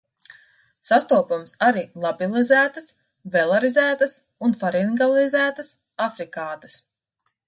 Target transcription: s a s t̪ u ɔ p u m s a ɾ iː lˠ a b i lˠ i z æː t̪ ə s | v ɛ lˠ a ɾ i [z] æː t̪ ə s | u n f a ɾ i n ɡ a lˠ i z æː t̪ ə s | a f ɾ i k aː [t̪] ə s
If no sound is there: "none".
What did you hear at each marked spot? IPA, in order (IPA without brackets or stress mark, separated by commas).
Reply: z, t̪